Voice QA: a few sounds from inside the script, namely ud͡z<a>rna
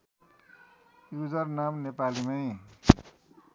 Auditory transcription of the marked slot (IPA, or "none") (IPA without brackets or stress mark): ʌ